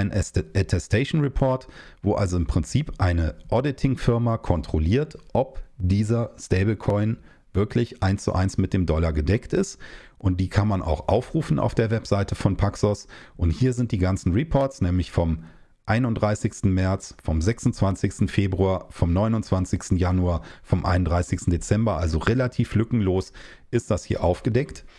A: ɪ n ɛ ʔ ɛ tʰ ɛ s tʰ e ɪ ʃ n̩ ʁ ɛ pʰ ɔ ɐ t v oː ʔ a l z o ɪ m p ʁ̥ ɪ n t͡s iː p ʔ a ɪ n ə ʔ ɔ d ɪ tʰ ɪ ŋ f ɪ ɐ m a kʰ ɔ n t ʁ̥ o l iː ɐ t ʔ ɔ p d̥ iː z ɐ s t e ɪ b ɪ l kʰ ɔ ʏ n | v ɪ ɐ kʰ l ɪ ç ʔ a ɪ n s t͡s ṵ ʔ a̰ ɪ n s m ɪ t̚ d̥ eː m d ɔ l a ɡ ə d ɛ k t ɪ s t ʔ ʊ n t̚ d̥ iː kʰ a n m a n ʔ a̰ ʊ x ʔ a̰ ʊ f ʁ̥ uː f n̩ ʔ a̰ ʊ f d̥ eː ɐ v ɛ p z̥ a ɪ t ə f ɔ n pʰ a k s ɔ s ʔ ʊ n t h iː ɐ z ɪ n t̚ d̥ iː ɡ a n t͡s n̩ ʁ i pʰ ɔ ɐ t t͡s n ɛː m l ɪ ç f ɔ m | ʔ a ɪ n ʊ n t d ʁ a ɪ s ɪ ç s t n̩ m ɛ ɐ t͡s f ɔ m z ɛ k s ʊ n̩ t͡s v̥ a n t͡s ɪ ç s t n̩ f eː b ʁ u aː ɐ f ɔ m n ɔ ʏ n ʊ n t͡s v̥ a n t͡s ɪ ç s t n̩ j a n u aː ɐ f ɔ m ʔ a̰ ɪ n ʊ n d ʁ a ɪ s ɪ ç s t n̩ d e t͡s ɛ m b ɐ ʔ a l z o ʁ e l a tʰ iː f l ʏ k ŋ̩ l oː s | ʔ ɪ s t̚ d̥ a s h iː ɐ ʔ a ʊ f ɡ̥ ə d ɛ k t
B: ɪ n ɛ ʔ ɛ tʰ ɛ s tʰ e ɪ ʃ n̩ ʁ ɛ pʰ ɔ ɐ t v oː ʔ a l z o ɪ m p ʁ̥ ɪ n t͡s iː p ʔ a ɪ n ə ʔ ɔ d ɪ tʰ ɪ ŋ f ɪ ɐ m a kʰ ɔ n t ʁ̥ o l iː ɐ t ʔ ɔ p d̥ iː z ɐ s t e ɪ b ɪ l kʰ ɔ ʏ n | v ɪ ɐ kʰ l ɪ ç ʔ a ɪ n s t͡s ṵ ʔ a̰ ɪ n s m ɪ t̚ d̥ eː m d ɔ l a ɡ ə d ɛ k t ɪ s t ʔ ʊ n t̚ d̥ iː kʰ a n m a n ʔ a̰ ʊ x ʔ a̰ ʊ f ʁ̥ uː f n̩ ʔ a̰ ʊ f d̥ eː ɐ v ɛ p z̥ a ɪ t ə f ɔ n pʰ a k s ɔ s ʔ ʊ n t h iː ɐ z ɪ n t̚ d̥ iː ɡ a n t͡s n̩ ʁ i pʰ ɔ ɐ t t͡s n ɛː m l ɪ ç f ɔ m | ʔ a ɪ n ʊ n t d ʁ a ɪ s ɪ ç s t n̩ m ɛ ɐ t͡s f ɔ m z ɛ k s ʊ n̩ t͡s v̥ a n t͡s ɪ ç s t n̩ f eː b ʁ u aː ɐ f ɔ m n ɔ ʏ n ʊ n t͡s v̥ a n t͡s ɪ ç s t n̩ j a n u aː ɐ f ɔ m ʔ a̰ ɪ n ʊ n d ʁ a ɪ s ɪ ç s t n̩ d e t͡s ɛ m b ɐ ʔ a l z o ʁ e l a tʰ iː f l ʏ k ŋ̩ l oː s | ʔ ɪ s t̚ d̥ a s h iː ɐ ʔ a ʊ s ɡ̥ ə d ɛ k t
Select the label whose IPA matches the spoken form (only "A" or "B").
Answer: A